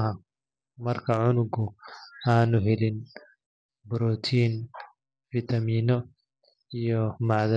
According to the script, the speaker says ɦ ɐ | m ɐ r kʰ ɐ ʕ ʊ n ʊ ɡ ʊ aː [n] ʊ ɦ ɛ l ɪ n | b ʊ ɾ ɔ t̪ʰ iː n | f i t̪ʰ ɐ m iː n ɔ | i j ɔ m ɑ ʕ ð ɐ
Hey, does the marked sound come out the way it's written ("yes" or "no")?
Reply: yes